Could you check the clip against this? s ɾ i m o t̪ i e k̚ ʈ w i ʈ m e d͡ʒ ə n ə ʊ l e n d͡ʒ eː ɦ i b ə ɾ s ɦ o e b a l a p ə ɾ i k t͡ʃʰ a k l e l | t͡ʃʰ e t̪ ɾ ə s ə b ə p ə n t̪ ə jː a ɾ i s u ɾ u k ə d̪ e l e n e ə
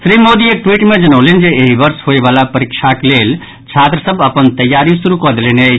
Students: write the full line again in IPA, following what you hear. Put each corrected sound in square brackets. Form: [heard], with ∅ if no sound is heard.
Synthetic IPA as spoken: s ɾ i m o [d̪] i e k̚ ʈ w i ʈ m e d͡ʒ ə n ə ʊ l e n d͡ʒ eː ɦ i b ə ɾ s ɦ o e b a l a p ə ɾ i k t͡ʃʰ a k l e l | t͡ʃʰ [a] t̪ ɾ ə s ə b ə p ə n t̪ ə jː a ɾ i s u ɾ u k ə d̪ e l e n e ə